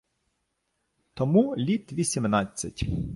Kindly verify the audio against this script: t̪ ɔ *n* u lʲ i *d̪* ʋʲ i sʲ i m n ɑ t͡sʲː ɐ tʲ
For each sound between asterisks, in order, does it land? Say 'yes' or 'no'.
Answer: no, no

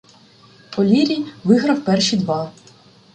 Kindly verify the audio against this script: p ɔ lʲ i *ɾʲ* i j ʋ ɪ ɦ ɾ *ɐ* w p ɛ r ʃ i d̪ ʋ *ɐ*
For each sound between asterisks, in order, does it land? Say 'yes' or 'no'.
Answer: yes, yes, no

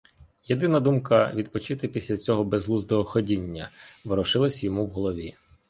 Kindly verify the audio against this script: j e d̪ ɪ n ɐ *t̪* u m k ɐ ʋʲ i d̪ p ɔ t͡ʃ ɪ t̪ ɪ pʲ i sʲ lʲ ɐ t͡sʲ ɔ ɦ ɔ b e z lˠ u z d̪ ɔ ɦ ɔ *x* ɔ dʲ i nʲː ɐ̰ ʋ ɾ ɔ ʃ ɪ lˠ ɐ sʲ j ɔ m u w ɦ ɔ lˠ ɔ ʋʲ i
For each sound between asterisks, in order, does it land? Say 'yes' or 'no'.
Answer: no, yes

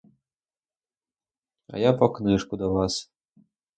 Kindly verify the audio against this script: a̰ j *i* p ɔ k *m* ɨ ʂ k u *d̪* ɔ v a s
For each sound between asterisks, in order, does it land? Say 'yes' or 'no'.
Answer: no, no, yes

